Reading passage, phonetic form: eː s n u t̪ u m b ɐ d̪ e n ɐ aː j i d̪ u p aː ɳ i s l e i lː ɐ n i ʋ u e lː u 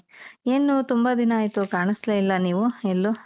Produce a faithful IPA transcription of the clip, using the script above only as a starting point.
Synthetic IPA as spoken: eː n u t̪ u m b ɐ d̪ i n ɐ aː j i t̪ u k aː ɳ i s l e i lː ɐ n iː ʋ u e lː u